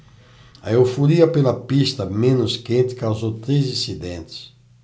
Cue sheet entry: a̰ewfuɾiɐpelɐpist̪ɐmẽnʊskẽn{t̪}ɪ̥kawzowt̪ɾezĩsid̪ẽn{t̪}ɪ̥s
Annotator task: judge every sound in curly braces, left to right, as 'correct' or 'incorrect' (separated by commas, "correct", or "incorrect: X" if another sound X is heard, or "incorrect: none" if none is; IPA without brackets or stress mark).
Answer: correct, correct